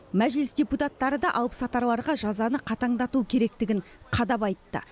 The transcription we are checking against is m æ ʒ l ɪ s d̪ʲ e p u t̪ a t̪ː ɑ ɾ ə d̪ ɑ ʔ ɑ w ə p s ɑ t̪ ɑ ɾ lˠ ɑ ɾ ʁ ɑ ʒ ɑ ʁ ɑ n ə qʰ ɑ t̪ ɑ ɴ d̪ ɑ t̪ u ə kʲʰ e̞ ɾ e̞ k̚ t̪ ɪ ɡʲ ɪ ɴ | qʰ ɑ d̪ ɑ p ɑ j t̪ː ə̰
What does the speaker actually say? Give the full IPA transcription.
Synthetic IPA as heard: m æ ʒ l ɪ s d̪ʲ e p u t̪ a t̪ː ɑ ɾ ə d̪ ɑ ʔ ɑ w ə p s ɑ t̪ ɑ ɾ lˠ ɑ ɾ ʁ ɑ ʒ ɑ z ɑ n ə qʰ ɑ t̪ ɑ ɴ d̪ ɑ t̪ u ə kʲʰ e̞ ɾ e̞ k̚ t̪ ɪ ɡʲ ɪ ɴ | qʰ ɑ d̪ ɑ p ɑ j t̪ː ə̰